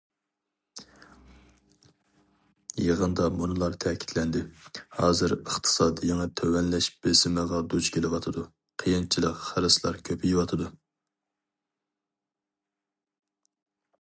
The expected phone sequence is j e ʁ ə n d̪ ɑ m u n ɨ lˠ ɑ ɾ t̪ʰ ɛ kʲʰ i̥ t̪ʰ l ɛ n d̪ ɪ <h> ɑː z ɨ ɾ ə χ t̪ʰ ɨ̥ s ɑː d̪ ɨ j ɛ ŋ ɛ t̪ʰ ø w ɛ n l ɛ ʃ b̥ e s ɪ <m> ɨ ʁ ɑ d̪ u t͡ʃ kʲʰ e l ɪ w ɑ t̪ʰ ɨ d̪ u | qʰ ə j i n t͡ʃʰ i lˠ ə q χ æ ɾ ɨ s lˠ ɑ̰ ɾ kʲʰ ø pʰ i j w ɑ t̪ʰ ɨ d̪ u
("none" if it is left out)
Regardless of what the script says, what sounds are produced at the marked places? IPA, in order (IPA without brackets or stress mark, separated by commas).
h, m